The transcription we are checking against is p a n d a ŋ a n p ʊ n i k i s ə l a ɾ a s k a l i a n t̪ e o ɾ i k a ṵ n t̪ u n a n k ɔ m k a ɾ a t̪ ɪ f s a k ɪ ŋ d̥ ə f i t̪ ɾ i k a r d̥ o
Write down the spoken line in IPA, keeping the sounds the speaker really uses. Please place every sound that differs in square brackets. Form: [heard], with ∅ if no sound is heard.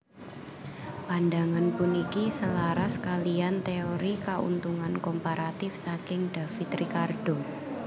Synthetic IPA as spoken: p a n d a ŋ a n p ʊ n i k i s ə l a ɾ a s k a l i a n t̪ e o ɾ i k a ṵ n t̪ u [ŋ] a n k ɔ m [p] a ɾ a t̪ ɪ f s a k ɪ ŋ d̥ [a] f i t̪ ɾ i k a r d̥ o